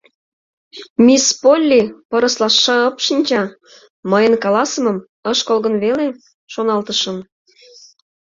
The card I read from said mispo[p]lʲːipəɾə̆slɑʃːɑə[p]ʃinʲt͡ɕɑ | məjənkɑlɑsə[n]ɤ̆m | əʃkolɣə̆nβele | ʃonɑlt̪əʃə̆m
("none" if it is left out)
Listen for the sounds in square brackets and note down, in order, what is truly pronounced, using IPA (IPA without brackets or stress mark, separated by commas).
none, p, m